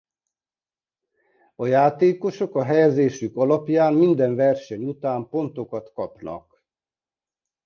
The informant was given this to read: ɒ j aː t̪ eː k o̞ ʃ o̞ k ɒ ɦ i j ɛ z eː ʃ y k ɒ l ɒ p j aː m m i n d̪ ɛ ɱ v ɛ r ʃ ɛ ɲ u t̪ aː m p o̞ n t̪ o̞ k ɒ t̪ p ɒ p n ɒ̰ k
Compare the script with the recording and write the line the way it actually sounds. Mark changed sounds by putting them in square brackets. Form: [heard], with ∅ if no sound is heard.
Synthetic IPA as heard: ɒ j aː t̪ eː k o̞ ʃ o̞ k ɒ ɦ [ɛ] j ɛ z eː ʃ y k ɒ l ɒ p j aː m m i n d̪ ɛ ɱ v ɛ r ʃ ɛ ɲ u t̪ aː m p o̞ n t̪ o̞ k ɒ t̪ [k] ɒ p n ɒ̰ k